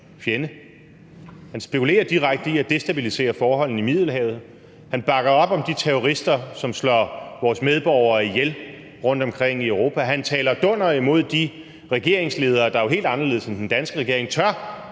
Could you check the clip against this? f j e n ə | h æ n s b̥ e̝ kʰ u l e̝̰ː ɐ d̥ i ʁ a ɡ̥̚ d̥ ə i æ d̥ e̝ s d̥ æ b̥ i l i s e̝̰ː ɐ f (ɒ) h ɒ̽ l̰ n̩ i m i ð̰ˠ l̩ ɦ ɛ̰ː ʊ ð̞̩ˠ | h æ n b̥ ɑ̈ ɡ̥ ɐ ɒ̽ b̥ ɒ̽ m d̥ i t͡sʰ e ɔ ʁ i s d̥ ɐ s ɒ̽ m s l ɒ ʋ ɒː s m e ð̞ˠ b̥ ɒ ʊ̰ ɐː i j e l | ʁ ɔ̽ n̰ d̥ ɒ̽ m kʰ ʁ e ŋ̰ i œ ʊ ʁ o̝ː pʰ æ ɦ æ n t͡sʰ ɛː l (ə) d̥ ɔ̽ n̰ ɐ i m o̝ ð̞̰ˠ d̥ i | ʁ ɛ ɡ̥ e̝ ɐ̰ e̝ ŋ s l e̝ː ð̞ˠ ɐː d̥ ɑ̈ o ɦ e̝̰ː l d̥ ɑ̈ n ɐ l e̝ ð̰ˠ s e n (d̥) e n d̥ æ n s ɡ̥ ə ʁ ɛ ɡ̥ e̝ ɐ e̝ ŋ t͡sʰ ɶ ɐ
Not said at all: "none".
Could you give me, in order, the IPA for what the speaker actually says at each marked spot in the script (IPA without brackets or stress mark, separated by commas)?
ɒː, ɐ, d̥